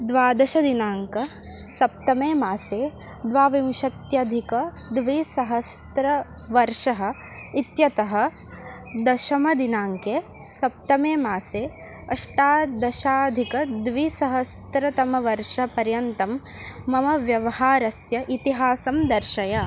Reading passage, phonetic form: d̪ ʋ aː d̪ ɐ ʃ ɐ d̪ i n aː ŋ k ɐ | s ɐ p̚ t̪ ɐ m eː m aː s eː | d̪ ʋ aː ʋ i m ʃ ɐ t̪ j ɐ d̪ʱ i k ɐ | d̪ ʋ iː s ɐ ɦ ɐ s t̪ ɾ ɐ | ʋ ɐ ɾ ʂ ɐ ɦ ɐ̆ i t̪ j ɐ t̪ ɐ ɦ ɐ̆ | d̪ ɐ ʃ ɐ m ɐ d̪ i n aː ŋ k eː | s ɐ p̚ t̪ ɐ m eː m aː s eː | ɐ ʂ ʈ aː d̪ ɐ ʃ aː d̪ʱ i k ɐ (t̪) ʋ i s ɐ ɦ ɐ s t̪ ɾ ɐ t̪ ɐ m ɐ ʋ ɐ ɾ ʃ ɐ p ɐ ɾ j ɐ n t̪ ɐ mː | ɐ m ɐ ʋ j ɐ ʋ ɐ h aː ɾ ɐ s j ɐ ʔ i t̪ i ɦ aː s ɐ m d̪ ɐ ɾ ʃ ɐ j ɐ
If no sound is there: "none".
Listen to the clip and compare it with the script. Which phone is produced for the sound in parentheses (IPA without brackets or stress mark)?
d̪